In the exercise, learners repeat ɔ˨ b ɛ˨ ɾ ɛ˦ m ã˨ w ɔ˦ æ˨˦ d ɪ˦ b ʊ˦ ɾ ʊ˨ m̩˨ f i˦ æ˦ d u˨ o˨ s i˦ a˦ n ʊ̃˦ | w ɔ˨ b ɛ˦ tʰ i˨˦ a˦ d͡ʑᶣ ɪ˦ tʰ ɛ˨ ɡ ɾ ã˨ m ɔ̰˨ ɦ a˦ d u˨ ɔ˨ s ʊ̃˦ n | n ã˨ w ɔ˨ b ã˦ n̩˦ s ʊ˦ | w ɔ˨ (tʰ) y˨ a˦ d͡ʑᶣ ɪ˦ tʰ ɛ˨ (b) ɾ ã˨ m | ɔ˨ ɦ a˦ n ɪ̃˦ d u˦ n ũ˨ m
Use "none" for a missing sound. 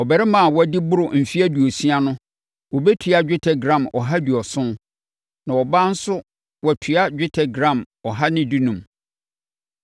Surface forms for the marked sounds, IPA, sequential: tʰ, ɡ

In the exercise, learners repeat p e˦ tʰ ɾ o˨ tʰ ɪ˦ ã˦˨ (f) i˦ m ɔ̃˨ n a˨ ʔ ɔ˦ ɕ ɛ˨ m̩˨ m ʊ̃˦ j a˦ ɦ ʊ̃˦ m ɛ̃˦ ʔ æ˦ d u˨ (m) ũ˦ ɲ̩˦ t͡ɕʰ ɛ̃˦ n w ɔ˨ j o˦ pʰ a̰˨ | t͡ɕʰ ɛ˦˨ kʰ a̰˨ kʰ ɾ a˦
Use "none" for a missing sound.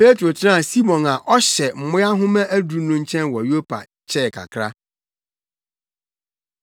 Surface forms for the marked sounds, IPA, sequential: s, n

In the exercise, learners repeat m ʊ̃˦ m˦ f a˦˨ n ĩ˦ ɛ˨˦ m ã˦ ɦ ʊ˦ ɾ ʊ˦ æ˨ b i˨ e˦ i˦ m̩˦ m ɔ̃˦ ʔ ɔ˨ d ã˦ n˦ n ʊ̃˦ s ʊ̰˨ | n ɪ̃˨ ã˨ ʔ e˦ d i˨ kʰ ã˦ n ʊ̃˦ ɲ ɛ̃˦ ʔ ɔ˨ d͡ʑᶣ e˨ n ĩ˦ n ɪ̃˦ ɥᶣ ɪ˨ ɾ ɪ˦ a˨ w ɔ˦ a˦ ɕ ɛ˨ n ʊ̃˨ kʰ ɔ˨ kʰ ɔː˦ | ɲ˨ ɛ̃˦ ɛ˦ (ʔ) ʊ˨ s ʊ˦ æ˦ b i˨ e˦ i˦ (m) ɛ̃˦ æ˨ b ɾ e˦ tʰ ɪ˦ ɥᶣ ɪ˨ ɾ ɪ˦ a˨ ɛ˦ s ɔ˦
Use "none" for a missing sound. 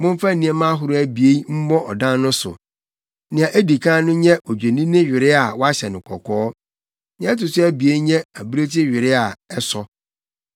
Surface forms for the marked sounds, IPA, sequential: t, ɲ

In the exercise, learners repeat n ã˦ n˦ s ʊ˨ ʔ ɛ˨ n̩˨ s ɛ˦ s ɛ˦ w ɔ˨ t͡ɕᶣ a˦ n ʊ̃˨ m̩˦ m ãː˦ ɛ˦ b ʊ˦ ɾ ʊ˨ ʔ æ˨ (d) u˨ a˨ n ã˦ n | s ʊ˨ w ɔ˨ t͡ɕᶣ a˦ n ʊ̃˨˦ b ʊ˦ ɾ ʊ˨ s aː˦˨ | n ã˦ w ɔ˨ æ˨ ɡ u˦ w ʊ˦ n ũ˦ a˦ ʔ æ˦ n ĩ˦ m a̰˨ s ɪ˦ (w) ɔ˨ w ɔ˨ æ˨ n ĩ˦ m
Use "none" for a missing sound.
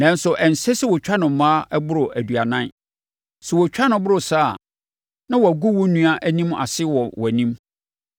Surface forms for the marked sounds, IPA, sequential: d, w

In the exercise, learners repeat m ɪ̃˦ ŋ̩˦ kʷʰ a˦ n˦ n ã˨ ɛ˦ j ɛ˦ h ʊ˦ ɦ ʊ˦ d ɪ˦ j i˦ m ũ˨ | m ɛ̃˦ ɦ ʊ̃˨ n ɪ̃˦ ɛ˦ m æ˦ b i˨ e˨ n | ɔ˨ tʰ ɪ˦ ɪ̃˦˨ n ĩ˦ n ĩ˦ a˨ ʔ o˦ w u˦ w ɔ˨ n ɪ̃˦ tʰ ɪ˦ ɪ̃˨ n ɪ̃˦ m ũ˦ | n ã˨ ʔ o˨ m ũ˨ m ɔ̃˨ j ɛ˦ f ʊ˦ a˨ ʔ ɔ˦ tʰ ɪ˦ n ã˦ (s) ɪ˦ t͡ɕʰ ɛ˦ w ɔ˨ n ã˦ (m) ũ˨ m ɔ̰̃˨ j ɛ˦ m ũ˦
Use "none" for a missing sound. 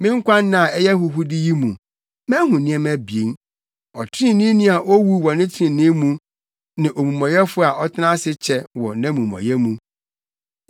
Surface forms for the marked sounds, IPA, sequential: s, m

